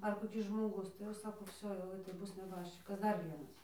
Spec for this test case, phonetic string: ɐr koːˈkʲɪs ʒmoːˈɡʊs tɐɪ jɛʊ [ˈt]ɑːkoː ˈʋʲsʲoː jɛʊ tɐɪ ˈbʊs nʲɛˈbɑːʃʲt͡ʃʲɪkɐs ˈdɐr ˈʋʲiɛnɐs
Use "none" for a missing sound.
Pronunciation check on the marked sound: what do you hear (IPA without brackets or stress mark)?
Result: s